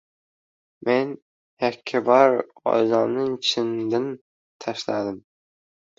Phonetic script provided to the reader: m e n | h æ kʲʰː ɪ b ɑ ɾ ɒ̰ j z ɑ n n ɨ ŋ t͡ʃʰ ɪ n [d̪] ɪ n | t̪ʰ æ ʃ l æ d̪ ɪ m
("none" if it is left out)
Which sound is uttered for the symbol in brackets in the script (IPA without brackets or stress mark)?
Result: d̪